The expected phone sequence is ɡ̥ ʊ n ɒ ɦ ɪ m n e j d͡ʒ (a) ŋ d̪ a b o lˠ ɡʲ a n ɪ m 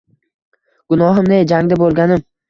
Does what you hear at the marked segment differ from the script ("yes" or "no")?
no